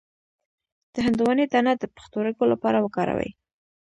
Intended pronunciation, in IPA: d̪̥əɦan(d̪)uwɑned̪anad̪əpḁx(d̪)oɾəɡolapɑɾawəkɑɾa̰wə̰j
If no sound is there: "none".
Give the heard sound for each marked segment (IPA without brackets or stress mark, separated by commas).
d̪, t̪